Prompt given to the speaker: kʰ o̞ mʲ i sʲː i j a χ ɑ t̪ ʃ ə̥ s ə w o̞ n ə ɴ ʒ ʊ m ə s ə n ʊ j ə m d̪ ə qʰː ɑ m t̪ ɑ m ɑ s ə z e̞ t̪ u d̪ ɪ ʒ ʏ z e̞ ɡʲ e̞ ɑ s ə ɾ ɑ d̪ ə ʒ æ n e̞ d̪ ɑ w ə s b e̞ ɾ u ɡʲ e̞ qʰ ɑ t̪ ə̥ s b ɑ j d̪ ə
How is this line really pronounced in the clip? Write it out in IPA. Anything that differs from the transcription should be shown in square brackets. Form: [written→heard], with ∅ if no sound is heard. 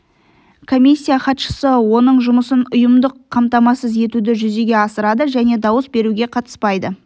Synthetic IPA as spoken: kʰ o̞ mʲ i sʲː i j a χ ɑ t̪ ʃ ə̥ s ə w o̞ n ə ɴ ʒ ʊ m ə s ə n ʊ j ə m d̪ ə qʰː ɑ m t̪ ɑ m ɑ s ə z e̞ t̪ u d̪ ɪ ʒ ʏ z e̞ ɡʲ e̞ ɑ s ə ɾ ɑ d̪ ə ʒ æ n e̞ d̪ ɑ w ə s b e̞ ɾ u ɡʲ e̞ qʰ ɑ t̪ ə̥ s [b→p] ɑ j d̪ ə